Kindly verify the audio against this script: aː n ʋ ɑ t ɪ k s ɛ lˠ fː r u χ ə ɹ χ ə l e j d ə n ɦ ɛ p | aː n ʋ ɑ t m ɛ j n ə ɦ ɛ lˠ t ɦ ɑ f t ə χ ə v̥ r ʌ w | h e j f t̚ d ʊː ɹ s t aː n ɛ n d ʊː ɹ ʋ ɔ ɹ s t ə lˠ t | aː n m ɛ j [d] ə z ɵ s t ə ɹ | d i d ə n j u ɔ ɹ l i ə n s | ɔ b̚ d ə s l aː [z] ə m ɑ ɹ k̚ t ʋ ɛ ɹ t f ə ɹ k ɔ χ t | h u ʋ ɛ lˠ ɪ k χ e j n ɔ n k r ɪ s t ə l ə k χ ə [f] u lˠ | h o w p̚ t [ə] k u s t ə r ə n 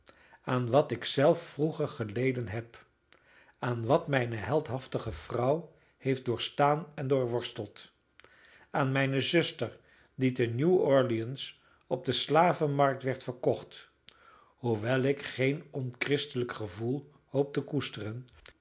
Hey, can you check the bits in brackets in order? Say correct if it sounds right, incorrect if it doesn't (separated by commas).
incorrect, incorrect, incorrect, correct